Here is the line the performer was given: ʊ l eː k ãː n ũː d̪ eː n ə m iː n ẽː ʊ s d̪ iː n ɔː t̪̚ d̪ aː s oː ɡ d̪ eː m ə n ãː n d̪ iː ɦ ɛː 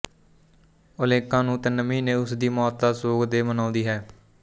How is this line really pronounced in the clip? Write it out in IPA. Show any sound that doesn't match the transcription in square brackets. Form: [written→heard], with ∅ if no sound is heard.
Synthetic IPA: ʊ l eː k ãː n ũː [d̪→t̪] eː n ə m iː n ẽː ʊ s d̪ iː [n→m] ɔː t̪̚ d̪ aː s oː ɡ d̪ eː m ə n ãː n d̪ iː ɦ ɛː